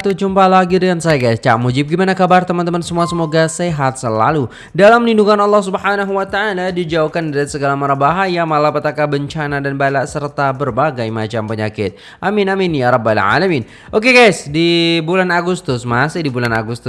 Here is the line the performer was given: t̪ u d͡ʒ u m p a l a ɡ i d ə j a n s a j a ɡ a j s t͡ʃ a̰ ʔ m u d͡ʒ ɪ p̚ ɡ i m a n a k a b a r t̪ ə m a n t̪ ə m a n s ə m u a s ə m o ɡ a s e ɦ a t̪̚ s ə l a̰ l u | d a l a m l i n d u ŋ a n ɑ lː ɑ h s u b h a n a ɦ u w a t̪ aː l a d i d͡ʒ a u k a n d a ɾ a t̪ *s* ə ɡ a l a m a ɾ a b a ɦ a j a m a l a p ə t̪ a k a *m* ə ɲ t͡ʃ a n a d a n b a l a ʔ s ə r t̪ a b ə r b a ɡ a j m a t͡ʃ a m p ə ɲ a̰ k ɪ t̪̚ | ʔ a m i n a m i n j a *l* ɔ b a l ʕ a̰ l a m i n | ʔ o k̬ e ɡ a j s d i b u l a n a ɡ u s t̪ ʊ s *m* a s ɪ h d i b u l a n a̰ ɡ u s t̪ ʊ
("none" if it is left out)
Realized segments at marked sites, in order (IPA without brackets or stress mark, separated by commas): s, b, ɾ, m